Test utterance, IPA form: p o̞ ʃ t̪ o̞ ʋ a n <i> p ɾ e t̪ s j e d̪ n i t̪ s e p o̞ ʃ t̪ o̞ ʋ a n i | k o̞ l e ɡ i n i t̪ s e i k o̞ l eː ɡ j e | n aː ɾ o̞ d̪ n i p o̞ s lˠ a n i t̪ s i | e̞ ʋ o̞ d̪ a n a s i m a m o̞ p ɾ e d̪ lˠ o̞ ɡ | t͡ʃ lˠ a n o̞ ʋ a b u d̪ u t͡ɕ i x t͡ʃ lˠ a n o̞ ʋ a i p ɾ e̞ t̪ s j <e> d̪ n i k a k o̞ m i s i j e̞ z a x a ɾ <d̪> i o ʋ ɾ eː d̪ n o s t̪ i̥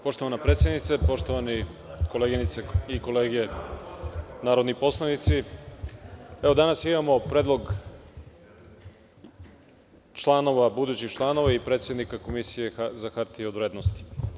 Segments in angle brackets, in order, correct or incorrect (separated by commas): incorrect, correct, incorrect